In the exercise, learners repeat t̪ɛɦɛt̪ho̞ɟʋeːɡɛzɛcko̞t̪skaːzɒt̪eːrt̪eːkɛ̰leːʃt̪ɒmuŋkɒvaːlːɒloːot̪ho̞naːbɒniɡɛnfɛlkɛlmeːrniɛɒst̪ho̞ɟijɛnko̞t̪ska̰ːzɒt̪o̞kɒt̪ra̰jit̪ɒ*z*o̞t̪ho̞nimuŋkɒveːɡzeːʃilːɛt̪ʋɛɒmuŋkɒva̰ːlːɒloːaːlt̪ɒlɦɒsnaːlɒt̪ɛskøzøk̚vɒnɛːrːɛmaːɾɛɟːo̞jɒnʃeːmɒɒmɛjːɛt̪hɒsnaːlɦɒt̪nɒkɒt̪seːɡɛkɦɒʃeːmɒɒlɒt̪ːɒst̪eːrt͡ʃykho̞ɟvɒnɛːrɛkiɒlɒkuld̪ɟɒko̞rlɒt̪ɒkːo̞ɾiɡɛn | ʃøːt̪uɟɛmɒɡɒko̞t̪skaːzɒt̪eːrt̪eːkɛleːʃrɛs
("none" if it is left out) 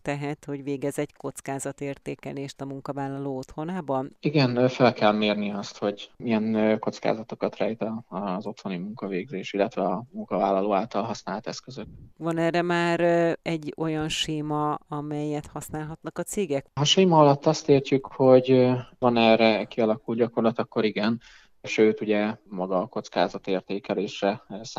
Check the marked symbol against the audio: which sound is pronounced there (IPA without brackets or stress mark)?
z